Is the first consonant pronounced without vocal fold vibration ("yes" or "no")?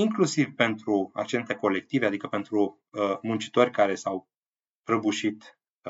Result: no